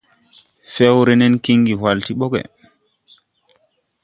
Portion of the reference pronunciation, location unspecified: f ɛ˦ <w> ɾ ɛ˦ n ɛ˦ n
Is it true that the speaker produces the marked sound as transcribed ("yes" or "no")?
yes